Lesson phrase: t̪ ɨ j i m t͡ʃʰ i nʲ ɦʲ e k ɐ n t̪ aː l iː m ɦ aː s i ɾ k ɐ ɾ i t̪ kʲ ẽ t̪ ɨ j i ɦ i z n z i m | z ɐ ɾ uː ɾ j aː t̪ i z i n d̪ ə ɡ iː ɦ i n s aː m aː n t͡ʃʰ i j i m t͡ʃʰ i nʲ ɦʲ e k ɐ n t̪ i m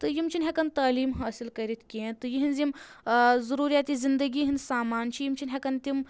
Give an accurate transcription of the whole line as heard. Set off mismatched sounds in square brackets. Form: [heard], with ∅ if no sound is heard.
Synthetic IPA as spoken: t̪ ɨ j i m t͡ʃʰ i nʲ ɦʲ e k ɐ n t̪ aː l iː m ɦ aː s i [l] k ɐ ɾ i t̪ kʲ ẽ t̪ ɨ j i ɦ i [∅] n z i m | z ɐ ɾ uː ɾ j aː t̪ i z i n d̪ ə ɡ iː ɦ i n s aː m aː n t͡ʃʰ i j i m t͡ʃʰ i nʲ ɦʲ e k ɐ n t̪ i m